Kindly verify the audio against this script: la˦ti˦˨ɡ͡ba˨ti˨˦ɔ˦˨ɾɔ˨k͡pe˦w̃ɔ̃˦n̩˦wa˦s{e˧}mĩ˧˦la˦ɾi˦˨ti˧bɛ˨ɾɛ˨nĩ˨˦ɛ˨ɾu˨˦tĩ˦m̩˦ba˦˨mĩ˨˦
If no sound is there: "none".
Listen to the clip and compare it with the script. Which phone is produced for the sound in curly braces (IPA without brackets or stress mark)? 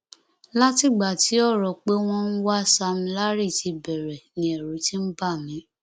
a˧